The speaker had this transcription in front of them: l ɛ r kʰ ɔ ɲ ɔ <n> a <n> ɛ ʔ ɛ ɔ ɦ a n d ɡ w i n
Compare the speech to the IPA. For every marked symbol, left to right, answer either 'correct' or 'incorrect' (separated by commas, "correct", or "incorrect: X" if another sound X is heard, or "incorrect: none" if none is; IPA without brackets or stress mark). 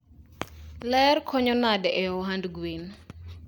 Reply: correct, incorrect: d